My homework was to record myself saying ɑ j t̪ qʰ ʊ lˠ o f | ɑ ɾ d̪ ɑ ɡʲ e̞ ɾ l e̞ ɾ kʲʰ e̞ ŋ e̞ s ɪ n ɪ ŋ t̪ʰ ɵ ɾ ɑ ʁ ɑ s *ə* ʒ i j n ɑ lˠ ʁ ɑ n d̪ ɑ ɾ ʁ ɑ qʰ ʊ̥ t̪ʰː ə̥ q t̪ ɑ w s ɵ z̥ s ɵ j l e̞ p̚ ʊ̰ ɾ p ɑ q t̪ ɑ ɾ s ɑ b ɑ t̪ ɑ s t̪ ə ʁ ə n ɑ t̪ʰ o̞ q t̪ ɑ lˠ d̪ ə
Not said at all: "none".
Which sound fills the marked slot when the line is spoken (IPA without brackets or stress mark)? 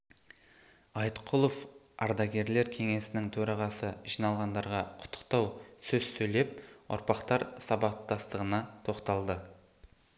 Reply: ə